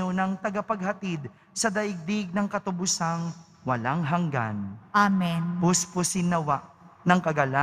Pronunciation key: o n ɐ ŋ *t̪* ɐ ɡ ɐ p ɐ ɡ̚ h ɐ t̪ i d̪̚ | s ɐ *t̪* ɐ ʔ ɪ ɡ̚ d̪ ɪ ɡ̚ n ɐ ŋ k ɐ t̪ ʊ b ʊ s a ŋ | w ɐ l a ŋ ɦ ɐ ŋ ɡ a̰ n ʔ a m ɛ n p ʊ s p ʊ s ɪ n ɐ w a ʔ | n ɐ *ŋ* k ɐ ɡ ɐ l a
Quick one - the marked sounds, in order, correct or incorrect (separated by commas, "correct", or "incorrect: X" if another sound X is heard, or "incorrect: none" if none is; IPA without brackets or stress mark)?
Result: correct, incorrect: d̪, correct